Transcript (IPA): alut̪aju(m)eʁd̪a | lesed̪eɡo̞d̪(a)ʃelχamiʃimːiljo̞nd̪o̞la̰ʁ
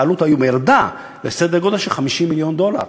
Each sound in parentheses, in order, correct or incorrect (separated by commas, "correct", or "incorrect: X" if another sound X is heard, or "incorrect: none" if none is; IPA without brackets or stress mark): correct, correct